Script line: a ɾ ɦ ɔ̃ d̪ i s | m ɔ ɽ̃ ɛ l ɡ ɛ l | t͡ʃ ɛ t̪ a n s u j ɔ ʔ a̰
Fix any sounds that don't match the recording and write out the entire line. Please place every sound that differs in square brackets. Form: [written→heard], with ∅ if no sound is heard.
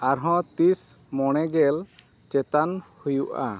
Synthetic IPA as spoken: a ɾ ɦ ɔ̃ [d̪→t̪] i s | m ɔ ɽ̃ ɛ [l→∅] ɡ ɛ l | t͡ʃ ɛ t̪ a n [s→h] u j [ɔ→u] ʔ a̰